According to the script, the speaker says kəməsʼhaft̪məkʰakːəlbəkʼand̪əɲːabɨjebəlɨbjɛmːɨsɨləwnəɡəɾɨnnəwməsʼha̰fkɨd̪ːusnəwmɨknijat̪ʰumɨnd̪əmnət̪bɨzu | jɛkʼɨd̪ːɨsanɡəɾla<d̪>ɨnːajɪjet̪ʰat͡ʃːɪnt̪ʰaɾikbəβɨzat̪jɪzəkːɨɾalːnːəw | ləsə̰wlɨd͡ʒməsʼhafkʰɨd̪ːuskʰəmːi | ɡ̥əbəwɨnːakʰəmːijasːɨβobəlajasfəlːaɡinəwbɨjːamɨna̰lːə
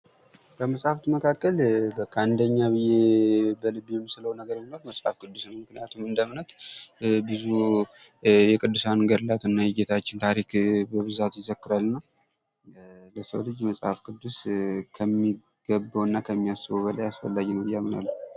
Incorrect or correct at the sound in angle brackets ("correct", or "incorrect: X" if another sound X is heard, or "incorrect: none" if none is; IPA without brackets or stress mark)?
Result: incorrect: t̪